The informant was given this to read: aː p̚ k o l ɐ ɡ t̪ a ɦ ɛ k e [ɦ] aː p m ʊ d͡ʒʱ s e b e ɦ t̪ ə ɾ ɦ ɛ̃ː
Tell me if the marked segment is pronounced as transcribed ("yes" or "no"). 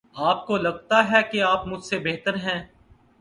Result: no